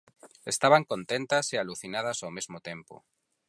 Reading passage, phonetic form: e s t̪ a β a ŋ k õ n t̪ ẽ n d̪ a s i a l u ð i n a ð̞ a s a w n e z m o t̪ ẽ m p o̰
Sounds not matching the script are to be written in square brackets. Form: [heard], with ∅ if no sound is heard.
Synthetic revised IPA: e s t̪ a β a ŋ k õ n t̪ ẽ n [t̪] a s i a l u [θ] i n a ð̞ a s a w [m] e z m o t̪ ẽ m p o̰